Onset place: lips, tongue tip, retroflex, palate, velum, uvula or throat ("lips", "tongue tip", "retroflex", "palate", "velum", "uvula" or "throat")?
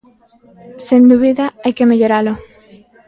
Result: tongue tip